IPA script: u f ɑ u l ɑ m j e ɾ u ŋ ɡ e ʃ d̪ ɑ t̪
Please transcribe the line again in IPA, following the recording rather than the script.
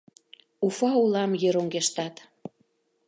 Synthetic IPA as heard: u f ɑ u l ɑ m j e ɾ o ŋ ɡ e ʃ t̪ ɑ t̪